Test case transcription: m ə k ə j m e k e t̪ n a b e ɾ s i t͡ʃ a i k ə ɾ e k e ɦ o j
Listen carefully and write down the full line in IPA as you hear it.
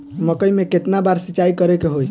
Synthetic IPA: m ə k ə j m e k e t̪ n a b a ɾ s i t͡ʃ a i k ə ɾ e k e ɦ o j